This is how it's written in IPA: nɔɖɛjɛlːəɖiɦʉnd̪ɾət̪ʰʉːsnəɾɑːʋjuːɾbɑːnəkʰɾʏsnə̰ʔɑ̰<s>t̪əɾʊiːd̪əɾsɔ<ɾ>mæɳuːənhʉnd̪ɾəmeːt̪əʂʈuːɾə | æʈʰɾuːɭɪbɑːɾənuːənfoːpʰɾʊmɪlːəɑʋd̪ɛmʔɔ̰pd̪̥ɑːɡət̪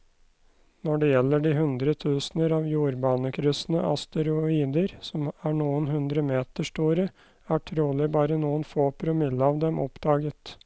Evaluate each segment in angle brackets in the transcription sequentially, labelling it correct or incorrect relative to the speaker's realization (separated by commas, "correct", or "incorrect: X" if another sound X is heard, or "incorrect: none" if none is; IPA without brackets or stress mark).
correct, incorrect: none